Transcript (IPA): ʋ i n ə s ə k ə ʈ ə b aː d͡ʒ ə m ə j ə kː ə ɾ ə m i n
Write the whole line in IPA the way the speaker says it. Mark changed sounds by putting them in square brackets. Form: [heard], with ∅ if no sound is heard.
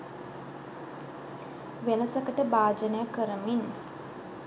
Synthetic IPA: ʋ [e] n ə s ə k ə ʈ ə b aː d͡ʒ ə [n] ə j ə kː ə ɾ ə m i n